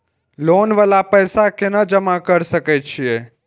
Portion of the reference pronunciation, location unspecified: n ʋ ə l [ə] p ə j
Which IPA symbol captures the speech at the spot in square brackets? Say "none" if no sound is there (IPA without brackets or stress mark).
a